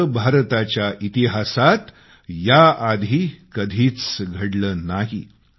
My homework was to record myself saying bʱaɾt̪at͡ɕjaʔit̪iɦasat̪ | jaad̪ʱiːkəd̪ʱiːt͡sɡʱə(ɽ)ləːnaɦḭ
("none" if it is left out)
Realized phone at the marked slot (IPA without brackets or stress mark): ɽ